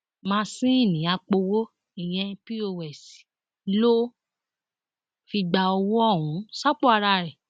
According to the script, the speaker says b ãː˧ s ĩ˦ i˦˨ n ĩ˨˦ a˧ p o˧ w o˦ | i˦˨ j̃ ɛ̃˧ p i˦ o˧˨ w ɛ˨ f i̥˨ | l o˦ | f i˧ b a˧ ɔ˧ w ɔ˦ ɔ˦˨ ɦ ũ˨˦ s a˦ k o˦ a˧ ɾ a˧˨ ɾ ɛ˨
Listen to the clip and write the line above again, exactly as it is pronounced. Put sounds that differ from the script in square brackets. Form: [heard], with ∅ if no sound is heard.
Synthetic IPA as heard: [m] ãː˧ s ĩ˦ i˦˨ n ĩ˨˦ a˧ [k͡p] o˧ w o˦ | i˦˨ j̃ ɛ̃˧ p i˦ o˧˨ w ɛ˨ [s] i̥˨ | l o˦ | f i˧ [ɡ͡b] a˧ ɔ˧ w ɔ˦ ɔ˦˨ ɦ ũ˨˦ s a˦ [k͡p] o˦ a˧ ɾ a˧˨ ɾ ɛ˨